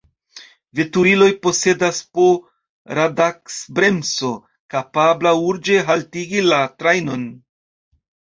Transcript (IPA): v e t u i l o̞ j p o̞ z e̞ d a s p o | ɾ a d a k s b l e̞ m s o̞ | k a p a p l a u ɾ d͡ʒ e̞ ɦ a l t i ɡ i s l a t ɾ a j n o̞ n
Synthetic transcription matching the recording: v e t u i l o̞ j p o̞ s e̞ d a s p o | ɾ a d a k s b ɾ e̞ m s o̞ | k a p a b l a u ɾ d͡ʒ e̞ ɦ a l t i ɡ i l a t ɾ a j n o̞ n